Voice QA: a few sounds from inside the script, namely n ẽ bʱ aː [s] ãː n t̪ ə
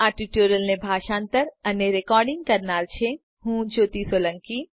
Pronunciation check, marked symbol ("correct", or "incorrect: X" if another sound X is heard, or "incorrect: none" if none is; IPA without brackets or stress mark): incorrect: ʃ